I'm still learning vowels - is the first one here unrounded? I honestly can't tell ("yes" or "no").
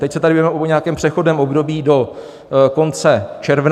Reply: yes